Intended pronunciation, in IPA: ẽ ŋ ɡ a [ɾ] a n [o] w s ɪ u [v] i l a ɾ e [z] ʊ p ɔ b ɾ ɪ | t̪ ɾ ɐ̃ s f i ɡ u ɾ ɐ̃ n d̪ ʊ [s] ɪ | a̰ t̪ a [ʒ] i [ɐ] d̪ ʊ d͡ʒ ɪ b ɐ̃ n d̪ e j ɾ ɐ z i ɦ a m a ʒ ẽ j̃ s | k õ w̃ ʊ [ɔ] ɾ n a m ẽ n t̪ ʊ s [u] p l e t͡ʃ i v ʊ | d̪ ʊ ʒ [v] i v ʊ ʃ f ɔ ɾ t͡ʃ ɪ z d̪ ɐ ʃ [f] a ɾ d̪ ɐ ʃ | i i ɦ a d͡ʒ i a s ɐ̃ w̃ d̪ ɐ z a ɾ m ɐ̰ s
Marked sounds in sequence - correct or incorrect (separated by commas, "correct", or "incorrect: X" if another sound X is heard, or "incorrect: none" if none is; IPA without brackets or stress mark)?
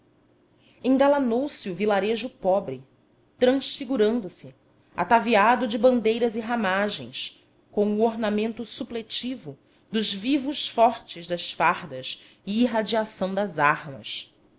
incorrect: l, correct, correct, incorrect: ʒ, correct, incorrect: v, incorrect: a, incorrect: o, correct, correct, correct